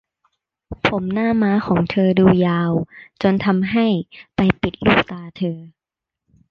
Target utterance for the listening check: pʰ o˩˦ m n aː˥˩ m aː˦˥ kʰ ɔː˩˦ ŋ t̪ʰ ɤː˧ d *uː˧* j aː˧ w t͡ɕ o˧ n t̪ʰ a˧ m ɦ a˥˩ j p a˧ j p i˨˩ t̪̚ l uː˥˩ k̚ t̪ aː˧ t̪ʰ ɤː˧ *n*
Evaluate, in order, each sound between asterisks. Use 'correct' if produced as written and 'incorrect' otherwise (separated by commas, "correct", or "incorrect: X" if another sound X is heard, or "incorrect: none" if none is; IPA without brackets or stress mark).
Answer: correct, incorrect: none